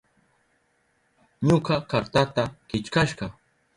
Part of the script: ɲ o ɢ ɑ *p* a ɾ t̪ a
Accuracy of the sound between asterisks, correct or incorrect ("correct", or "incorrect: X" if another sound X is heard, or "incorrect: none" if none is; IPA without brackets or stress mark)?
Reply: incorrect: k